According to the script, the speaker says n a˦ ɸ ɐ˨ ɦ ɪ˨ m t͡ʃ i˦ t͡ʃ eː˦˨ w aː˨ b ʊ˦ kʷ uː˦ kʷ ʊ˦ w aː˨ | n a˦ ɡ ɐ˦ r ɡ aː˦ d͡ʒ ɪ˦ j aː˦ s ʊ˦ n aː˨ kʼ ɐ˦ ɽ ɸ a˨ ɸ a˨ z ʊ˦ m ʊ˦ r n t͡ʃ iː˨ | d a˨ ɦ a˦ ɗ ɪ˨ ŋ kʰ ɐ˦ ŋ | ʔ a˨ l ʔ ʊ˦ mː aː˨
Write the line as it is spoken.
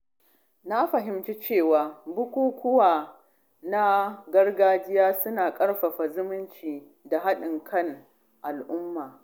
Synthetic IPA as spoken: n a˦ ɸ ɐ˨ ɦ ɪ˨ m t͡ʃ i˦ t͡ʃ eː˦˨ w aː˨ b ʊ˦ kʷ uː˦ kʷ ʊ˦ w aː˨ | n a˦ ɡ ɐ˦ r ɡ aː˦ d͡ʒ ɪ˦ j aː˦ s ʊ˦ n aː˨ kʼ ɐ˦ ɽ ɸ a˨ ɸ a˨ z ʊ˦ m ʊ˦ n t͡ʃ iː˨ | d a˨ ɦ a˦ ɗ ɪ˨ ŋ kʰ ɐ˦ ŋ | ʔ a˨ l ʔ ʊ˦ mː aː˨